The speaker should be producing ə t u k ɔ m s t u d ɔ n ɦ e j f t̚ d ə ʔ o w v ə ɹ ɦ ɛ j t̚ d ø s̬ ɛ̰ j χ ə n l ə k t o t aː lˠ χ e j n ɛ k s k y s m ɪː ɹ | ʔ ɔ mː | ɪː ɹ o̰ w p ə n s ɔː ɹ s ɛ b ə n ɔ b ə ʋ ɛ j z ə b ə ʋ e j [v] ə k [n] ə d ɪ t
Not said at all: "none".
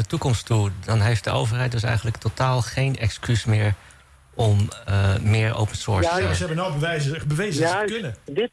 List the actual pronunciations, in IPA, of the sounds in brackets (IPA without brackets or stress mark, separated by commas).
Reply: z, n